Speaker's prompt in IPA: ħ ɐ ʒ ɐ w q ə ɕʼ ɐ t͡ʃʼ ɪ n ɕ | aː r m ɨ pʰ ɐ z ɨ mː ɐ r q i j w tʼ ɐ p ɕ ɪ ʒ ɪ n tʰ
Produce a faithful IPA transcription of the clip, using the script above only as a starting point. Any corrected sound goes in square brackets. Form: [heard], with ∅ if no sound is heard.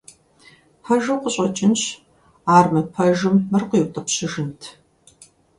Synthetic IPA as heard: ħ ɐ ʒ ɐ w q ə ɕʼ ɐ t͡ʃʼ ɪ n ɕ | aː r m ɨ pʰ ɐ [ʒ] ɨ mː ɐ r q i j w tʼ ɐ p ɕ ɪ ʒ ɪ n tʰ